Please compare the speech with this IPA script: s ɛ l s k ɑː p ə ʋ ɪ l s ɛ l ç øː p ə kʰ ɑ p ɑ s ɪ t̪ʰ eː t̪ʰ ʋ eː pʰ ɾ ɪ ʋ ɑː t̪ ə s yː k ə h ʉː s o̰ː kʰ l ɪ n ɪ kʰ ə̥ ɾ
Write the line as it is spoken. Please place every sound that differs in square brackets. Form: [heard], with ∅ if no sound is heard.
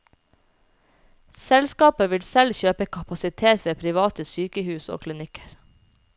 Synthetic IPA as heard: s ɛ l s k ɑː p ə ʋ ɪ l s ɛ l ç øː p ə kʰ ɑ p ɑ s ɪ t̪ʰ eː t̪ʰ ʋ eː pʰ ɾ ɪ ʋ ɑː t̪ ə s yː k ə h ʉː s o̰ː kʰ l ɪ n ɪ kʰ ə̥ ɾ